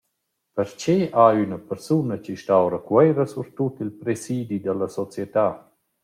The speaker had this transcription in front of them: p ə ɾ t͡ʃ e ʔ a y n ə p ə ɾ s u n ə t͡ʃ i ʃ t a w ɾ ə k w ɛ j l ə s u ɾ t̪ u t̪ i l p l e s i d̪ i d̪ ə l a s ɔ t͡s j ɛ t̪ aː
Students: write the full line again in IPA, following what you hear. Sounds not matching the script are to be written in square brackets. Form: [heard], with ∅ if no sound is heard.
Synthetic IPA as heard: p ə ɾ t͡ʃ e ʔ a y n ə p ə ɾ s u n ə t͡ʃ i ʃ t a w ɾ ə k w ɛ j [ɾ] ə s u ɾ t̪ u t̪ i l p [ɾ] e s i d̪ i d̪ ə l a s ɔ t͡s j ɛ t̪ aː